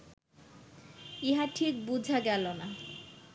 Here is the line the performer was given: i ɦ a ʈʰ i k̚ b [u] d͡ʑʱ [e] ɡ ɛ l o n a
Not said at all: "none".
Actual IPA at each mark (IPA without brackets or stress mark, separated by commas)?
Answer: u, a